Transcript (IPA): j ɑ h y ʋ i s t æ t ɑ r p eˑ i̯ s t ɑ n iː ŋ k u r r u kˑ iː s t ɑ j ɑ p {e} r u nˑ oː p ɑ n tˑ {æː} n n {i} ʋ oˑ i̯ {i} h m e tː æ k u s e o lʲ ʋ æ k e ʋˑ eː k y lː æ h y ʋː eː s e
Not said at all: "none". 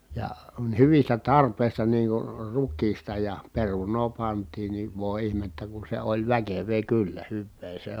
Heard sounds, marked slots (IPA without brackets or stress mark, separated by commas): e, iː, i, i